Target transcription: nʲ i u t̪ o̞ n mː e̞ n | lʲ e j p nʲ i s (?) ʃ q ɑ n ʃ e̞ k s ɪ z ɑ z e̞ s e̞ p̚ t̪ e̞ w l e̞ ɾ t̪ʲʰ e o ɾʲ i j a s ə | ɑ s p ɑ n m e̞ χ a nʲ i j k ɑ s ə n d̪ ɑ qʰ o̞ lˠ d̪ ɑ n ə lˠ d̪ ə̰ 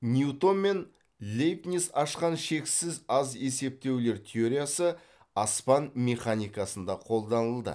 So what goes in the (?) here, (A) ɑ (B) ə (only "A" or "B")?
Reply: A